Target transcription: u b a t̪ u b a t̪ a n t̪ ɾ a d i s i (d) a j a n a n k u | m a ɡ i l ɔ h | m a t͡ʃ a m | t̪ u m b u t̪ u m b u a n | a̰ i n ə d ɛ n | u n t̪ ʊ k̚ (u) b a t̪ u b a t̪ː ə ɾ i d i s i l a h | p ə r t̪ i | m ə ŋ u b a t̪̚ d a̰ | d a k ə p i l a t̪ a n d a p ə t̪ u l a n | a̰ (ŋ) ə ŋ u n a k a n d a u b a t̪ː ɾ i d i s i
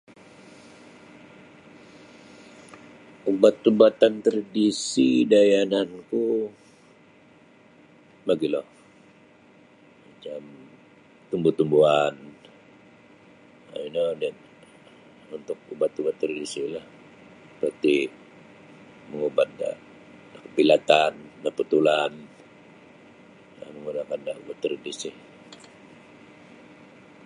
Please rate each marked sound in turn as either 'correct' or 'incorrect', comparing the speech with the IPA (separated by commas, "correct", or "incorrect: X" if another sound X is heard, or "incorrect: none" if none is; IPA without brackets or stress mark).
correct, correct, incorrect: m